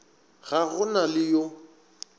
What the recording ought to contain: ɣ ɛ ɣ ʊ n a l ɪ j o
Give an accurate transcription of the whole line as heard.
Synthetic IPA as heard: ɣ a ɣ ʊ n a l ɪ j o